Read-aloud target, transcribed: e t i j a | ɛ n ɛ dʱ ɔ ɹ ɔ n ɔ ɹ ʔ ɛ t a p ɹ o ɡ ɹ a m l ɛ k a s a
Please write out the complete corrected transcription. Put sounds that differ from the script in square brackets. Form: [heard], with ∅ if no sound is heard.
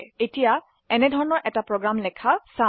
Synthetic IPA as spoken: e t i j a | ɛ n ɛ dʱ ɔ ɹ ɔ n ɔ ɹ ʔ ɛ t a p ɹ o ɡ ɹ a m l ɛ [kʰ] a s a